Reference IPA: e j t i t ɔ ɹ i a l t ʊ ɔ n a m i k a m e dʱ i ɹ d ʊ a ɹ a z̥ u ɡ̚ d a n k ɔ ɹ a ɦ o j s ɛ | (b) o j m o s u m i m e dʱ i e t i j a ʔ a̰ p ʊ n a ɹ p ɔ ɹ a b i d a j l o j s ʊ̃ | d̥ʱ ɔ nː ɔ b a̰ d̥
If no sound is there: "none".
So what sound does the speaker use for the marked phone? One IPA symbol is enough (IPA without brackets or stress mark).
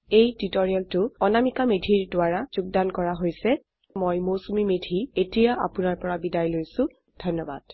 m